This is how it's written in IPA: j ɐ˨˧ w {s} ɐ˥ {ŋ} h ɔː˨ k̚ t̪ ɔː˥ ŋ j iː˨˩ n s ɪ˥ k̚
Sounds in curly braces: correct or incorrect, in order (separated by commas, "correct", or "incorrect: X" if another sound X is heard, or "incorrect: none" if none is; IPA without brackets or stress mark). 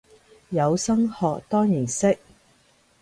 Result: correct, correct